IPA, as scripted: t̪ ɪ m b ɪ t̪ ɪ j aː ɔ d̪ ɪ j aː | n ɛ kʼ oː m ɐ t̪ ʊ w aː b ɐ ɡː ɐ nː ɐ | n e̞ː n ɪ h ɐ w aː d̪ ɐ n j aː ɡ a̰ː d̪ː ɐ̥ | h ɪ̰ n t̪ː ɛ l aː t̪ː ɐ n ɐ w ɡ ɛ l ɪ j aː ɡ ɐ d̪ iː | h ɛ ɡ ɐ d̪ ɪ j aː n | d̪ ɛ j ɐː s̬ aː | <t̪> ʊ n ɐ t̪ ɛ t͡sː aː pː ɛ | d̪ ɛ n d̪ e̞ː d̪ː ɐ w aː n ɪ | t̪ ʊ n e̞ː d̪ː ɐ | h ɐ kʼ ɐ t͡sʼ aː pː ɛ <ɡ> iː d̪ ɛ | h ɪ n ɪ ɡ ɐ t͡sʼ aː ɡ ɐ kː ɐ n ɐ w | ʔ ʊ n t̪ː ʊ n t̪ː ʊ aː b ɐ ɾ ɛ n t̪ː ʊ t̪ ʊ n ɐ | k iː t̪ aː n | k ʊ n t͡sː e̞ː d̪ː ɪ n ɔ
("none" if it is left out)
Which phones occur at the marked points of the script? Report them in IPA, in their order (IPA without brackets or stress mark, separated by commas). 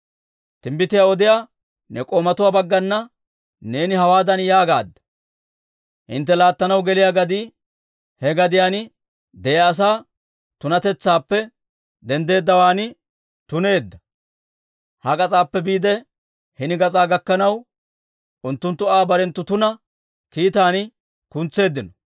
t̪, b